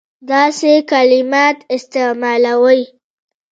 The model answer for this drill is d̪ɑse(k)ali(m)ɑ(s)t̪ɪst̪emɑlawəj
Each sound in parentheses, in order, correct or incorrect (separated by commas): correct, correct, incorrect